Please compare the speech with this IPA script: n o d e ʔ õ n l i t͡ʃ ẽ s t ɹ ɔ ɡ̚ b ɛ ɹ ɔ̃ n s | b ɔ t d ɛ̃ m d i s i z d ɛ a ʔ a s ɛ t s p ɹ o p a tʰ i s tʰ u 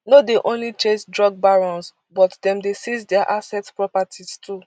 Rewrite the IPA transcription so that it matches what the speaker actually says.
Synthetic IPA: n o d e ʔ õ n l i t͡ʃ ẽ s d ɹ ɔ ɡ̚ b a ɹ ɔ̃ n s | b ɔ t d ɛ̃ m d e s i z d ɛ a ʔ a s ɛ t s p ɹ ɔ p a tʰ i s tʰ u